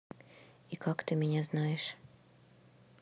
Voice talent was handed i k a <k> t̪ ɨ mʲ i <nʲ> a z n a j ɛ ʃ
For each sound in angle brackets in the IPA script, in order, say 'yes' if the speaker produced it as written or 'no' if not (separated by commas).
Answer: yes, yes